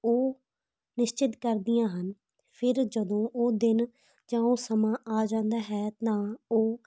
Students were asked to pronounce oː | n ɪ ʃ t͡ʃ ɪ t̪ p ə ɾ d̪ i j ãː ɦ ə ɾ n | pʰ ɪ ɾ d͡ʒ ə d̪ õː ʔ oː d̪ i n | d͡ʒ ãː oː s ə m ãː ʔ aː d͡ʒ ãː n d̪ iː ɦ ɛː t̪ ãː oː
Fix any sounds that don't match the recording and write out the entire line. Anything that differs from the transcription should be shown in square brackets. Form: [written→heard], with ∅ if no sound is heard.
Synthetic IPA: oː | n ɪ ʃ t͡ʃ ɪ t̪ [p→k] ə ɾ d̪ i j ãː ɦ ə [ɾ→∅] n | pʰ ɪ ɾ d͡ʒ ə d̪ õː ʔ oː d̪ [i→ɪ] n | d͡ʒ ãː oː s ə m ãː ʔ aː d͡ʒ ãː n d̪ [iː→aː] ɦ ɛː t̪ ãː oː